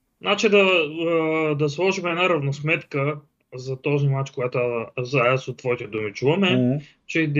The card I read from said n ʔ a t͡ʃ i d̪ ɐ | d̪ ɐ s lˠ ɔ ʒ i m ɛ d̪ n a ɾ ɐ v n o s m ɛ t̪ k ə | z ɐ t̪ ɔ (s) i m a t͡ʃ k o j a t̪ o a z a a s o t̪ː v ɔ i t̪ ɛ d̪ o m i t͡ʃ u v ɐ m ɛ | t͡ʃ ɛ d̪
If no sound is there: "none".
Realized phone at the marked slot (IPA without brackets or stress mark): z